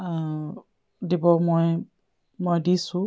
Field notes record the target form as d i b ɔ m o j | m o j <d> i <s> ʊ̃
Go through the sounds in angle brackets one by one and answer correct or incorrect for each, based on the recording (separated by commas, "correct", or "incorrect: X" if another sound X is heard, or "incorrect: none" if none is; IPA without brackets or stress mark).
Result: correct, correct